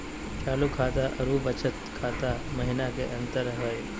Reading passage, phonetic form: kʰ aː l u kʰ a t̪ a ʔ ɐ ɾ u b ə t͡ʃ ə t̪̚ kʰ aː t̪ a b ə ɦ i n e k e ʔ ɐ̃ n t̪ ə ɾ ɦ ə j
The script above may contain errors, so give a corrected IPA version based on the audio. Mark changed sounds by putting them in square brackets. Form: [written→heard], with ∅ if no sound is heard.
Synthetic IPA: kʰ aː l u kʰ a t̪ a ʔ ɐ ɾ u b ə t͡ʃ ə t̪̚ kʰ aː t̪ a [b→m] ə ɦ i n [e→a] k e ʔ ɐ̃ n t̪ ə ɾ ɦ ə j